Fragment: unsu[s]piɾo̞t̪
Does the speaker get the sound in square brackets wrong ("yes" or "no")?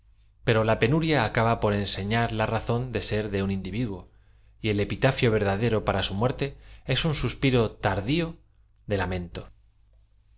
no